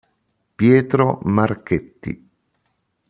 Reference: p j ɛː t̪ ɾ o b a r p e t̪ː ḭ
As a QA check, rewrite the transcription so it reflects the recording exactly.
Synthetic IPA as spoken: p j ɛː t̪ ɾ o m a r k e t̪ː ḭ